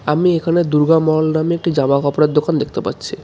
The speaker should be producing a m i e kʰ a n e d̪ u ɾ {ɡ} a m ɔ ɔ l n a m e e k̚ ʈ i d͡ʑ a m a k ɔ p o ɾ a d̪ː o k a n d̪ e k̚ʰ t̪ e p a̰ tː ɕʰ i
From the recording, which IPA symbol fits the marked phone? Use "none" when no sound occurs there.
ɡ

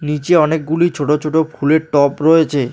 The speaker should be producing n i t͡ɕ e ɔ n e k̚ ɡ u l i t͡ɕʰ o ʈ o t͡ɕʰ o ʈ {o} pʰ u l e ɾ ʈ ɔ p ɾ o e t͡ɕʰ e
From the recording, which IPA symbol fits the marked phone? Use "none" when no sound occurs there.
o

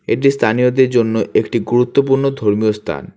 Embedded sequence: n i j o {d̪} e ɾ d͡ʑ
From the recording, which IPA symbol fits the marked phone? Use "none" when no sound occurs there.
d̪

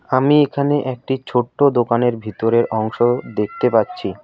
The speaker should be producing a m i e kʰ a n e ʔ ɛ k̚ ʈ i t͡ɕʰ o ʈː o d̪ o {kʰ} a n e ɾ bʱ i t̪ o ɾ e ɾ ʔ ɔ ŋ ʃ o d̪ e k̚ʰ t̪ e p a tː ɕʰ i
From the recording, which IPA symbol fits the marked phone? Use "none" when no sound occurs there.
k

